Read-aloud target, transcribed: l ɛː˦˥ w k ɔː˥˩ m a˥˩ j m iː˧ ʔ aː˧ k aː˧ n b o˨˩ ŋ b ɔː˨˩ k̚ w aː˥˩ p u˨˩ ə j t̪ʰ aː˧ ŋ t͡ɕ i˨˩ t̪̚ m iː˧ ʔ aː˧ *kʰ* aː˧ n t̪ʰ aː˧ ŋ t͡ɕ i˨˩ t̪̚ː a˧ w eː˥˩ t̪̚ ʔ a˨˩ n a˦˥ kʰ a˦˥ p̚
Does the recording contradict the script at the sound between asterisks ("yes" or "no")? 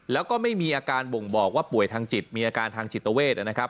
yes